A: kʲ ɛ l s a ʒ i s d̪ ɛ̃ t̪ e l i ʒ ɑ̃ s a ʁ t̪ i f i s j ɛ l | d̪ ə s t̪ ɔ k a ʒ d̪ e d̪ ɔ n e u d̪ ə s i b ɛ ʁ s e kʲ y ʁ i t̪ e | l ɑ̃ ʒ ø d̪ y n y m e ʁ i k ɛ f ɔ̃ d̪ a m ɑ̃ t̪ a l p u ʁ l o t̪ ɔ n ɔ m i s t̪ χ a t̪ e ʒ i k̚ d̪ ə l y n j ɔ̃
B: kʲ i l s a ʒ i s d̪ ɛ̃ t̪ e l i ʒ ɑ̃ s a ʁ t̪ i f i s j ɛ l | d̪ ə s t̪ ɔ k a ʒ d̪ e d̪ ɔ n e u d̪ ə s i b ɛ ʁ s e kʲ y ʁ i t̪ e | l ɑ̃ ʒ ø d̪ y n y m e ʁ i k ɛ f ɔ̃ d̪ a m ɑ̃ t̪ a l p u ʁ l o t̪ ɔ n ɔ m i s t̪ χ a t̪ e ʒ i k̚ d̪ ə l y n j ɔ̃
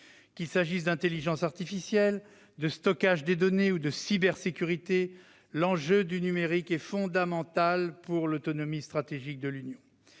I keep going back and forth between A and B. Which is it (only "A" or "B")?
B